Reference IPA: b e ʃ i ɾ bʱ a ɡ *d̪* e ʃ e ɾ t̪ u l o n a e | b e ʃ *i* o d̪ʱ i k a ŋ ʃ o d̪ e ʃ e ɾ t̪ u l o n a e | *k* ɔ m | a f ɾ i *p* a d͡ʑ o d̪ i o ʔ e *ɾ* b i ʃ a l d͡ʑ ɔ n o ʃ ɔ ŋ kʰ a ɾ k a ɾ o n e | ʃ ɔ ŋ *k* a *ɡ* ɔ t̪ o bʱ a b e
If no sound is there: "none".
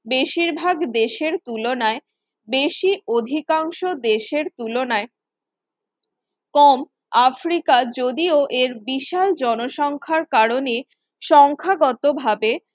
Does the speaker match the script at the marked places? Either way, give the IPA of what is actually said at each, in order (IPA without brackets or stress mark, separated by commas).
d̪, i, k, k, ɾ, kʰ, ɡ